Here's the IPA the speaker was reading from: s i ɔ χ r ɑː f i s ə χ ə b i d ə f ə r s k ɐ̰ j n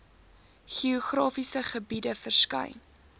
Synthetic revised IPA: χ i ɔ χ r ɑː f i s ə χ ə b i d ə f ə r s k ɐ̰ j n